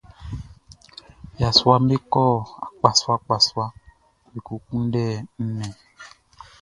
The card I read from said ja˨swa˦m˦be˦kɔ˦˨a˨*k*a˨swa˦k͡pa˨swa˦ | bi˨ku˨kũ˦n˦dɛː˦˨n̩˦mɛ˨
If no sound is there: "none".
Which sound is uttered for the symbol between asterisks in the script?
k͡p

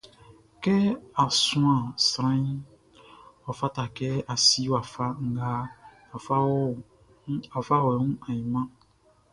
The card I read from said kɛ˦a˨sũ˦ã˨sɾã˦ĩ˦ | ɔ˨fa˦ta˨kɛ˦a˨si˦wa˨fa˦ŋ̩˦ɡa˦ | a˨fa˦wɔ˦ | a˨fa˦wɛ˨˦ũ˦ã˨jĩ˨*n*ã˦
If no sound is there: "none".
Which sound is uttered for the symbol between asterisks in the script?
m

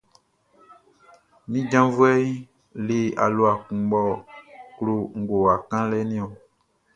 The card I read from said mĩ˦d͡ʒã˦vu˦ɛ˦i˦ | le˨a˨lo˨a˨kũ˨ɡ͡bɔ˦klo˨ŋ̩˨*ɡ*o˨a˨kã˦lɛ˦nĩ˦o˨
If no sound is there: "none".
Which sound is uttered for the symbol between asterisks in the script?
ɡ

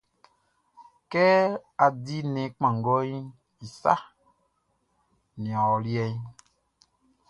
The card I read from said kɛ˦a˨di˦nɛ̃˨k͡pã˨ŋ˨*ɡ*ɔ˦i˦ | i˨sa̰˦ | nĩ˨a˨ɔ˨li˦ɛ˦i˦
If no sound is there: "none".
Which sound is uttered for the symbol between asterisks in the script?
ɡ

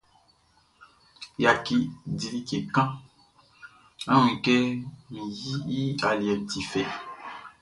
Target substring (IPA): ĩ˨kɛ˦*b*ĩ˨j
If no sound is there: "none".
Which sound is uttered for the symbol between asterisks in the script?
m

